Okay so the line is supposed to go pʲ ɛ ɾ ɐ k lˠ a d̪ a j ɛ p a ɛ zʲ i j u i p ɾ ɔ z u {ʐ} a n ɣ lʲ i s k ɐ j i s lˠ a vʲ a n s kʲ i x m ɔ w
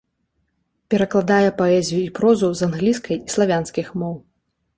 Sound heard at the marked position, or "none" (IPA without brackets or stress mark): z